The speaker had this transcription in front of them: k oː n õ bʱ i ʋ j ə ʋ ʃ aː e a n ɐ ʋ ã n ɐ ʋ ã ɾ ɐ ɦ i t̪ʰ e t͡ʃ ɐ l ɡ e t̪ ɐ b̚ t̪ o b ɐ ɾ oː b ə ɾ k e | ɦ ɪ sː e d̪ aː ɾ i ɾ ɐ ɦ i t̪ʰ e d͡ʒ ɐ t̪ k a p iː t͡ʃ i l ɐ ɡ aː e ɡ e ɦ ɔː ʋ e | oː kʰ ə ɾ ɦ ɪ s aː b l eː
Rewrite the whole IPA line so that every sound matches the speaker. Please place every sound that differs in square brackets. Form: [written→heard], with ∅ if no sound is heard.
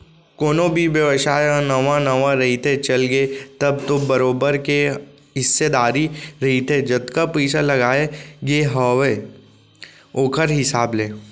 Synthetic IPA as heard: k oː n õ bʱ i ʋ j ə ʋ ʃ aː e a n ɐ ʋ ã n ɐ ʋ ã ɾ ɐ ɦ i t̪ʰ e t͡ʃ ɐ l ɡ e t̪ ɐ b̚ t̪ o b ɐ ɾ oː b ə ɾ k e | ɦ ɪ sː e d̪ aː ɾ i ɾ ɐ ɦ i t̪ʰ e d͡ʒ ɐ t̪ k a p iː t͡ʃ [i→a] l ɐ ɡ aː e ɡ e ɦ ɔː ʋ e | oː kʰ ə ɾ ɦ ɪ s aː b l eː

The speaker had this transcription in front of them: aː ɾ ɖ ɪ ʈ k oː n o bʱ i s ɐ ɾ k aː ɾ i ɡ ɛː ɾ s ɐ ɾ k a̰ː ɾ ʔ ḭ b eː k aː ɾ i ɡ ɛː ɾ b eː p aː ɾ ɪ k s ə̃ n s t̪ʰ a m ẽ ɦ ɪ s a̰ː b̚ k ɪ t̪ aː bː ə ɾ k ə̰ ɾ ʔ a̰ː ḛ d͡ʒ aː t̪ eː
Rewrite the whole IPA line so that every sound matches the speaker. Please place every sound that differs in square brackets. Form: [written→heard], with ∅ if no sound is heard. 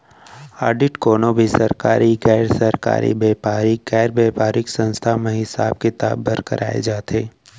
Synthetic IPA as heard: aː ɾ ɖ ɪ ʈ k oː n o bʱ i s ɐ ɾ k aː ɾ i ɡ ɛː ɾ s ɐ ɾ k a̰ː ɾ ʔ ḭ b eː [k→p] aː ɾ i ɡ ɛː ɾ b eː p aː ɾ ɪ k s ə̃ n s t̪ʰ a m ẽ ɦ ɪ s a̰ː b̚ k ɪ t̪ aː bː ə ɾ k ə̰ ɾ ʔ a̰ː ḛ d͡ʒ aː t̪ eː

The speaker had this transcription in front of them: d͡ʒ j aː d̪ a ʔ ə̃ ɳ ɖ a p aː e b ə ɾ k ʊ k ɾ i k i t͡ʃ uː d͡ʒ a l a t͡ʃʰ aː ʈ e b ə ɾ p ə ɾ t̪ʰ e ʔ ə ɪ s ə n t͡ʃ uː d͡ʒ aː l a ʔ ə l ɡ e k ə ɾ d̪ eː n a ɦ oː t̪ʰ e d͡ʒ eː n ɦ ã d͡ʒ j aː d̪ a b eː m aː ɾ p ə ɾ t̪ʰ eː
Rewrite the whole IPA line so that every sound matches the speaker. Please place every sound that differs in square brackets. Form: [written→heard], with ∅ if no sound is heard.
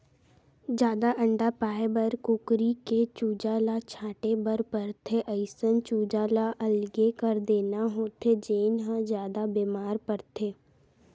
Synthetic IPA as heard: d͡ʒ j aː d̪ a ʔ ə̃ ɳ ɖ a p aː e b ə ɾ k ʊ k ɾ i k [i→e] t͡ʃ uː d͡ʒ a l a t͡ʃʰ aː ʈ e b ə ɾ p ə ɾ t̪ʰ e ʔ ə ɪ s ə n t͡ʃ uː d͡ʒ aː l a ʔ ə l ɡ e k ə ɾ d̪ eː n a ɦ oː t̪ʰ e d͡ʒ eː n ɦ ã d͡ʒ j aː d̪ a b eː m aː ɾ p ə ɾ t̪ʰ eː

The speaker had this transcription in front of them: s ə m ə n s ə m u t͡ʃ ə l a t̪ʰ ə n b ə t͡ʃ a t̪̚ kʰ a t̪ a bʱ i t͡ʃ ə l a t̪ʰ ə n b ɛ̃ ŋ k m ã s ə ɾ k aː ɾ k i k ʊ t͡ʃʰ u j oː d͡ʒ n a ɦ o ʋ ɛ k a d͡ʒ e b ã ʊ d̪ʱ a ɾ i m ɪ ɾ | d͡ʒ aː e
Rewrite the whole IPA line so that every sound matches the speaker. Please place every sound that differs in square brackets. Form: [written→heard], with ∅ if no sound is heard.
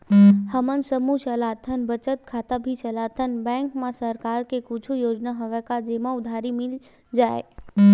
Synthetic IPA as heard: [s→h] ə m ə n s ə m u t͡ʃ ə l a t̪ʰ ə n b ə t͡ʃ [a→ə] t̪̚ kʰ a t̪ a bʱ i t͡ʃ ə l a t̪ʰ ə n b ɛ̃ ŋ k m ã s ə ɾ k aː ɾ k [i→e] k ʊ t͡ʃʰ u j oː d͡ʒ n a ɦ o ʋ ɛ k a d͡ʒ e [b→m] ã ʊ d̪ʱ a ɾ i m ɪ [ɾ→l] | d͡ʒ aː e

